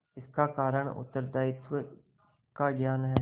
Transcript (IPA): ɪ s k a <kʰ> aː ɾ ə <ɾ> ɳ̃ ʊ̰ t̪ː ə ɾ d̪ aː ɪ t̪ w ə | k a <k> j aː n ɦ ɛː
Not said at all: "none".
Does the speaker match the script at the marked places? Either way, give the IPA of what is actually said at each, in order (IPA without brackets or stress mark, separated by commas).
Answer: k, none, ɡ